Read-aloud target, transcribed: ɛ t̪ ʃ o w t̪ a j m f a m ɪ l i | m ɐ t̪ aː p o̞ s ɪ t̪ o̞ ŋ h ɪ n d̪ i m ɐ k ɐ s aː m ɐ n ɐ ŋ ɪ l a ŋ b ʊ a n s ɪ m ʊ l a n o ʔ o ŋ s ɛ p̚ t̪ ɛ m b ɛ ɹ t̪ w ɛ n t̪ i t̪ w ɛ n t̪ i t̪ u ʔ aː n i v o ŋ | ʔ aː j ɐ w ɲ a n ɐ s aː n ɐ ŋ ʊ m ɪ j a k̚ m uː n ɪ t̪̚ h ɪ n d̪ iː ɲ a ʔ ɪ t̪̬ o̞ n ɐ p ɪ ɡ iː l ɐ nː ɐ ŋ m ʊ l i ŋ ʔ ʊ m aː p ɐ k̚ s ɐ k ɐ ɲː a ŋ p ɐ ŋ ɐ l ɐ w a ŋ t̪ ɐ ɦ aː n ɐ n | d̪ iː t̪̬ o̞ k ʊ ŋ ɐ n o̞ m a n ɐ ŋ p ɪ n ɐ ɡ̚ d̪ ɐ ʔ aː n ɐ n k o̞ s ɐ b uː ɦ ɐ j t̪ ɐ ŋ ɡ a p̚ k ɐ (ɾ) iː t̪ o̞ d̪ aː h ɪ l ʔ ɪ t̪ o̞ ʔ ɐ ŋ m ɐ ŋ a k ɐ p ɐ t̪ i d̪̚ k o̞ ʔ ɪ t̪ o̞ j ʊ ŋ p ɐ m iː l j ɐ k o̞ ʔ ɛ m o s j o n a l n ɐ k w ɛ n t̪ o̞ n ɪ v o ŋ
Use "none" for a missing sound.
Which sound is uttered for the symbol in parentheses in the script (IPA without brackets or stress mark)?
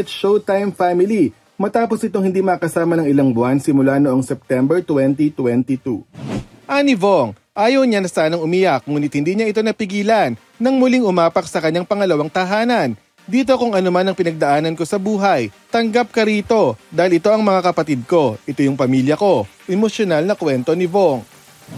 ɾ